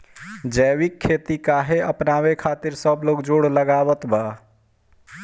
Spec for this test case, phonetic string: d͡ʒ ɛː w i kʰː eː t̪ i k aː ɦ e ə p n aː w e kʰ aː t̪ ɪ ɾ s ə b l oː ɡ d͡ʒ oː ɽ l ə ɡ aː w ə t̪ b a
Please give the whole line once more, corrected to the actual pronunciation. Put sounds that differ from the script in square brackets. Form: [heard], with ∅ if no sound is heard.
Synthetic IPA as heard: d͡ʒ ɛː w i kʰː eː t̪ i k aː ɦ e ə p n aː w e kʰ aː t̪ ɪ ɾ s ə b l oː ɡ d͡ʒ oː ɽ l ə ɡ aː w ə t̪ b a